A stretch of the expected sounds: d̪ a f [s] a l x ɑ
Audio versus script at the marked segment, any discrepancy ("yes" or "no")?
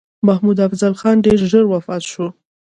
yes